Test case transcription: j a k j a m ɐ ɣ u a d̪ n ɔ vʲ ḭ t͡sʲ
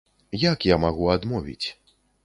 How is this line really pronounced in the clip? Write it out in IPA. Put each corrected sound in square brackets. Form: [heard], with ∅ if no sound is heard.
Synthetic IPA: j a k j a m [a] ɣ u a d̪ [m] ɔ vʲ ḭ t͡sʲ